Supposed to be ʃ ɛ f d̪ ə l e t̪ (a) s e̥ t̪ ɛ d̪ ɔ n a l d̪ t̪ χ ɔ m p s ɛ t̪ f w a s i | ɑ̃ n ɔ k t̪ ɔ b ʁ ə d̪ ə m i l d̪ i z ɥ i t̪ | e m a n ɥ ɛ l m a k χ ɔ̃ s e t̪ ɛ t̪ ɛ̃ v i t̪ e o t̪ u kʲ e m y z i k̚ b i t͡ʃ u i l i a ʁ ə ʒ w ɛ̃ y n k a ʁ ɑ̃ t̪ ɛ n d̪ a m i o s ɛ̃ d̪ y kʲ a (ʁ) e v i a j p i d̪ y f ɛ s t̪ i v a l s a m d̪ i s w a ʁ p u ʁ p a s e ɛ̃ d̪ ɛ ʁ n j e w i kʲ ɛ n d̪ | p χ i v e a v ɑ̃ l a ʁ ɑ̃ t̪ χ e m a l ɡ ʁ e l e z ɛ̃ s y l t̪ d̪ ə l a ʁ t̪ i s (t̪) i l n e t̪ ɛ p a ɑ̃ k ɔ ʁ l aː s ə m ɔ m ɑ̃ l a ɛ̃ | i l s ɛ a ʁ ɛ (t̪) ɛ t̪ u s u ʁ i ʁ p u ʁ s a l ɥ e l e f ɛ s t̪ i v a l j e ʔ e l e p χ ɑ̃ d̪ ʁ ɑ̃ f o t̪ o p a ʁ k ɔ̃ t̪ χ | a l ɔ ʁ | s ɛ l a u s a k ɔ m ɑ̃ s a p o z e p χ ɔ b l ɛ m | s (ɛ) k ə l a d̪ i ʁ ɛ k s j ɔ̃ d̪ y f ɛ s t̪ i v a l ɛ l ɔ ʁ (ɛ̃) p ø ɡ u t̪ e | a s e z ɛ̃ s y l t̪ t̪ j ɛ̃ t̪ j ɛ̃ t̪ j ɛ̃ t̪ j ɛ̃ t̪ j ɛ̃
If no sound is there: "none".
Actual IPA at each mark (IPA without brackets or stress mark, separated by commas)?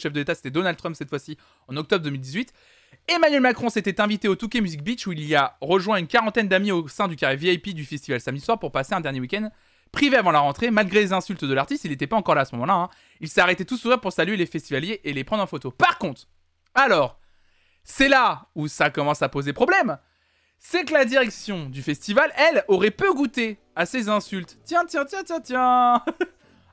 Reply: a, ʁ, t̪, t̪, ɛ, ɛ